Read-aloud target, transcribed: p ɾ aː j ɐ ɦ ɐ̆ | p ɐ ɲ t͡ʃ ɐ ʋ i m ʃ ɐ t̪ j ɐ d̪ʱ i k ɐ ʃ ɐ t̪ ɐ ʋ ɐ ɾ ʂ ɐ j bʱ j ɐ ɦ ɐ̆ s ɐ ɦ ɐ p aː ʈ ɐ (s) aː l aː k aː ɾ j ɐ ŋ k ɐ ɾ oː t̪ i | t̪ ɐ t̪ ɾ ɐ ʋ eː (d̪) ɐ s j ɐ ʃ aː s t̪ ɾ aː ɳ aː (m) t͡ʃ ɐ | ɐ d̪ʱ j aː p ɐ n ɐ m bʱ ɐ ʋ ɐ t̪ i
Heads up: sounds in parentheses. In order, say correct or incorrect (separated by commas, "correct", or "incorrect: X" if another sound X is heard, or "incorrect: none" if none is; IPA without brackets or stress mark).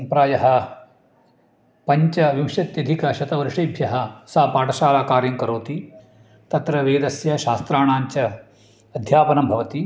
incorrect: ʃ, correct, incorrect: ɲ